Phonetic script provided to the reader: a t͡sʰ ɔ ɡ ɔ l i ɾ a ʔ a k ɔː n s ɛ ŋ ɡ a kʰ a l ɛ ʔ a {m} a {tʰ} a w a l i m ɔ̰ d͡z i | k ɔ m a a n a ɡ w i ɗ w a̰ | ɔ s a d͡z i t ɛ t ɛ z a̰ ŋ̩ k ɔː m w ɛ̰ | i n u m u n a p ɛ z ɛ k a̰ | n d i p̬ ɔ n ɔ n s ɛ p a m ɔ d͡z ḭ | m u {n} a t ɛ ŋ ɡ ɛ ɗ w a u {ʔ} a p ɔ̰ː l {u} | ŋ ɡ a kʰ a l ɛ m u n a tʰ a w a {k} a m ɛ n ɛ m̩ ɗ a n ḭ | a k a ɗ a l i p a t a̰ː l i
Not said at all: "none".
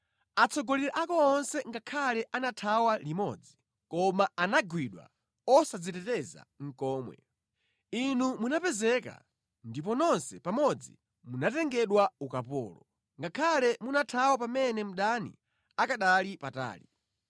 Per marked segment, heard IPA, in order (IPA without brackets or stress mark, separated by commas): n, tʰ, n, k, ɔ, p